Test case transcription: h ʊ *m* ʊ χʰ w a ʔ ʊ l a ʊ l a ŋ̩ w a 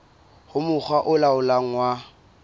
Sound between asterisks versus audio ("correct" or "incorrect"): correct